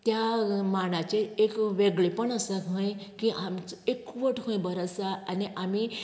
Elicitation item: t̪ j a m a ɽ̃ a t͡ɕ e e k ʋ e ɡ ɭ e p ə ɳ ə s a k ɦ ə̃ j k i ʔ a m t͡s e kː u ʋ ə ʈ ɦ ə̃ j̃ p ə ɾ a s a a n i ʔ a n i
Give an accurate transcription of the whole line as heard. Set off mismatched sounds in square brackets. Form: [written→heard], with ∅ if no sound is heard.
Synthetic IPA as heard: t̪ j a m a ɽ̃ a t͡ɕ e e k ʋ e ɡ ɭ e p ə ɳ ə s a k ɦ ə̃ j k i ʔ a m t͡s e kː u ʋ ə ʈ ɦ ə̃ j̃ [p→b] ə ɾ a s a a n i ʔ a [n→m] i